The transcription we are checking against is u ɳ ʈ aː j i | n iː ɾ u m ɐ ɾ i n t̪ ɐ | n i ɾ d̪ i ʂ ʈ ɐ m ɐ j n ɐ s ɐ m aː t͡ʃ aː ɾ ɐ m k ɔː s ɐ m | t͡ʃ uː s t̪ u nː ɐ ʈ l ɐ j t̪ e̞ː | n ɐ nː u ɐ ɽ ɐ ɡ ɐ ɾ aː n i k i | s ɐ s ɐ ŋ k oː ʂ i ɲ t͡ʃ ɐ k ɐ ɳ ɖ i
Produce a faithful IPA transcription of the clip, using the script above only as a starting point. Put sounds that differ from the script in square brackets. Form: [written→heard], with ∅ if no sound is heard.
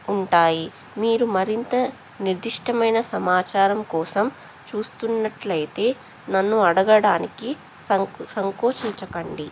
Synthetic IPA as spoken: u ɳ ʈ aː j i | [n→m] iː ɾ u m ɐ ɾ i n t̪ ɐ | n i ɾ d̪ i ʂ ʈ ɐ m ɐ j n ɐ s ɐ m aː t͡ʃ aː ɾ ɐ m k ɔː s ɐ m | t͡ʃ uː s t̪ u nː ɐ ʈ l ɐ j t̪ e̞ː | n ɐ nː u ɐ ɽ ɐ ɡ ɐ [ɾ→ɽ] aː n i k i | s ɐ s ɐ ŋ k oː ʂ i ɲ t͡ʃ ɐ k ɐ ɳ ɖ i

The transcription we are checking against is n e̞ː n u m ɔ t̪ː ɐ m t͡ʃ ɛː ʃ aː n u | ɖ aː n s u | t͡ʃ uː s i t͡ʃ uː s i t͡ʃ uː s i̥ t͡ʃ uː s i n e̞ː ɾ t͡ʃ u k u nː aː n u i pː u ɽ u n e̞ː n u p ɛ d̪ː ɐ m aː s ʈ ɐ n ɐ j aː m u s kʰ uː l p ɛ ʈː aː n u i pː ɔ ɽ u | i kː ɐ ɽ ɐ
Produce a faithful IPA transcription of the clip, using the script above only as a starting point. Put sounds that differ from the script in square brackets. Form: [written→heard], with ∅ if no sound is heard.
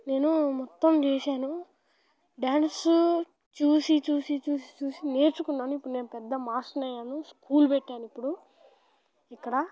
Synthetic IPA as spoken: n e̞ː n u m ɔ t̪ː ɐ m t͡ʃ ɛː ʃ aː n u | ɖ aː n s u | t͡ʃ uː s i t͡ʃ uː s i t͡ʃ uː s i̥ t͡ʃ uː s i n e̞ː ɾ t͡ʃ u k u nː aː n u i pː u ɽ u n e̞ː n u p ɛ d̪ː ɐ m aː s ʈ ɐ n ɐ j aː [m→n] u s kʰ uː l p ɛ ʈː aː n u i pː [ɔ→u] ɽ u | i kː ɐ ɽ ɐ

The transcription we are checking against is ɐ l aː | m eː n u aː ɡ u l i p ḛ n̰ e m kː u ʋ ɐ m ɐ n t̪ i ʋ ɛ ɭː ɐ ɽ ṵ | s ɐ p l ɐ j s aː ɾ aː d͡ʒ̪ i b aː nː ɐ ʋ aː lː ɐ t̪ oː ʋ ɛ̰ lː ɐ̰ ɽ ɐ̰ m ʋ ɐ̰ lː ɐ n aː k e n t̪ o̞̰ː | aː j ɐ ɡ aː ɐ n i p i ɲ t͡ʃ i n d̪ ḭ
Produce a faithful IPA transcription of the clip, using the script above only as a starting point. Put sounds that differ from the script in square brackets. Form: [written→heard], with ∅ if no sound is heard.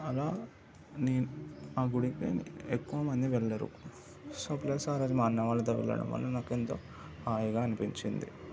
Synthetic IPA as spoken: ɐ l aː | [m→n] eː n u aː ɡ u [l→ɽ] i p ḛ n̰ e [m→∅] kː u ʋ ɐ m ɐ n [t̪→d̪] i ʋ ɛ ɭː ɐ [ɽ→ɾ] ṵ | s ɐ p l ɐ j s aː ɾ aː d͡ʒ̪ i [b→m] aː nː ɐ ʋ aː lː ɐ t̪ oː ʋ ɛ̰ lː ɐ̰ ɽ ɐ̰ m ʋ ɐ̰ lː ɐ n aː k e n t̪ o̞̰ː | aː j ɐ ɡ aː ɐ n i p i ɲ t͡ʃ i n d̪ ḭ

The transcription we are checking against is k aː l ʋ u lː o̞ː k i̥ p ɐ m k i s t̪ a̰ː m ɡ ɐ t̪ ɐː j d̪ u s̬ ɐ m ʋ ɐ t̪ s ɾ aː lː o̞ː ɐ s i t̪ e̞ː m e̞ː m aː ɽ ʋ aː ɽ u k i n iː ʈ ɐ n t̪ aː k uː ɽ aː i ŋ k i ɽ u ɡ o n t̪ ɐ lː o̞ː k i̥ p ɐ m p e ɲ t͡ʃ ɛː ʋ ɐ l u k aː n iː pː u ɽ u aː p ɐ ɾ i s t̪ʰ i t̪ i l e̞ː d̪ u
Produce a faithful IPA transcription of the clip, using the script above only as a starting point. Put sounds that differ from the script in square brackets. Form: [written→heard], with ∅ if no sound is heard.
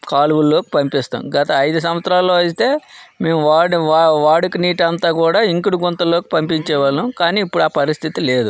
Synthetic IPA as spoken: k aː l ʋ u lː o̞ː k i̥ p ɐ m [k→p] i s t̪ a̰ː m ɡ ɐ t̪ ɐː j d̪ u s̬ ɐ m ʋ ɐ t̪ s ɾ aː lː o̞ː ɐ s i t̪ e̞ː m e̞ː m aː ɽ ʋ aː ɽ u k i n iː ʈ ɐ n t̪ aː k uː ɽ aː i ŋ k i ɽ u ɡ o n t̪ ɐ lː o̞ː k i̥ p ɐ m p [e→i] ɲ t͡ʃ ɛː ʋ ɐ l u k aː n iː pː u ɽ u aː p ɐ ɾ i s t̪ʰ i t̪ i l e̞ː d̪ u

